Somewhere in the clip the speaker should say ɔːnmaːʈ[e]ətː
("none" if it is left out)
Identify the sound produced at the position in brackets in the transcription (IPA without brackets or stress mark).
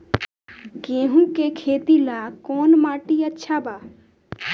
i